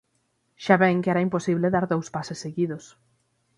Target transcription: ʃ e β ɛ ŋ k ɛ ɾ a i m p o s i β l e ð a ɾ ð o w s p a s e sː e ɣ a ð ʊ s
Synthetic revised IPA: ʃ a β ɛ ŋ k ɛ ɾ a i m p o s i β l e ð a ɾ ð o w s p a s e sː e ɣ i ð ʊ s